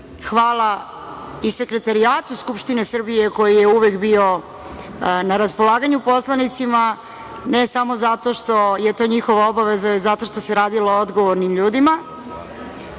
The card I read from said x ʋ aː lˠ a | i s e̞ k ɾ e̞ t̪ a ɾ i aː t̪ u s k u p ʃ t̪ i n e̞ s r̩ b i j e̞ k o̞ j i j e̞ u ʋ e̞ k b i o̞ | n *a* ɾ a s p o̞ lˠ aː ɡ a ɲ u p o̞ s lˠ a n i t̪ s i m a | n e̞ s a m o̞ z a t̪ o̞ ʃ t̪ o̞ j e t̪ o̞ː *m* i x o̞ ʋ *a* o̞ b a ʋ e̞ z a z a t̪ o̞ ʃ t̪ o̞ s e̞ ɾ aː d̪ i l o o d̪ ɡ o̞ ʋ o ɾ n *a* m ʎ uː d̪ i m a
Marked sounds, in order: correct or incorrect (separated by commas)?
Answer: correct, incorrect, correct, incorrect